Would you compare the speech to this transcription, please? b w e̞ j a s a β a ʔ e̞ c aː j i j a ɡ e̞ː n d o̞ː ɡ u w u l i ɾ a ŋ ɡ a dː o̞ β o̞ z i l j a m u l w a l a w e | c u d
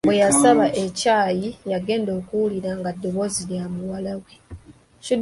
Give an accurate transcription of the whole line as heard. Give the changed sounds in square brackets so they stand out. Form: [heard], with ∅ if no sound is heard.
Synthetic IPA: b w e̞ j a s a β a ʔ e̞ c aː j i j a ɡ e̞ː n d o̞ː [k] u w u l i ɾ a ŋ ɡ a dː o̞ β o̞ z i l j a m u [∅] w a l a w e | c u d